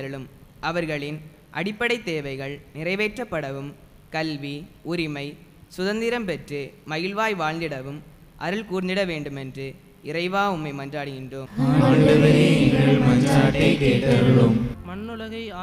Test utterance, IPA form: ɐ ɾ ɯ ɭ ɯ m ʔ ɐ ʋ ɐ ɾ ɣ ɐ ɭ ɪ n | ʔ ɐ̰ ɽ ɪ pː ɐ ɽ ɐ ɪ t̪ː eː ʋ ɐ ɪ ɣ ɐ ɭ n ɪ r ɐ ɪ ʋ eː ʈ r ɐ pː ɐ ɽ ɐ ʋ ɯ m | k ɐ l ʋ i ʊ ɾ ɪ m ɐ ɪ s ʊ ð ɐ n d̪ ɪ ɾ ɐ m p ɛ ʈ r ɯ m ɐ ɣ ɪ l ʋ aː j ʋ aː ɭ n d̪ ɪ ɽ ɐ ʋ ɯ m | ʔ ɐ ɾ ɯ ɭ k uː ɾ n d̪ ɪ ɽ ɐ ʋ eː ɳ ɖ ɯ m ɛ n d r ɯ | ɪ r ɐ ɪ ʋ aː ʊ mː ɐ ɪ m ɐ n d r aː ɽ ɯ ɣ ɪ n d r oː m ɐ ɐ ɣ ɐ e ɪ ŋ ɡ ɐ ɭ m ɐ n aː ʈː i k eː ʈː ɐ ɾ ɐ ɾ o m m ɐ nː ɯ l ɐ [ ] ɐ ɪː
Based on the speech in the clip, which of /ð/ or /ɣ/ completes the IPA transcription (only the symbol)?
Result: ɣ